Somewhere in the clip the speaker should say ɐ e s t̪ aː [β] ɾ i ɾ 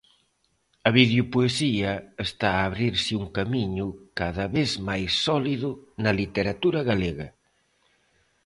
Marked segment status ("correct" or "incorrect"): correct